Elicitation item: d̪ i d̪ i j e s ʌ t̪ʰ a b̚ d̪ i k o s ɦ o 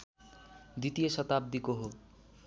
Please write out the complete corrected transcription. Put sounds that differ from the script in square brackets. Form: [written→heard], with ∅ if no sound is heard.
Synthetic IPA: d̪ i [d̪→t̪] i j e s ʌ [t̪ʰ→t̪] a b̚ d̪ i k o [s→∅] ɦ o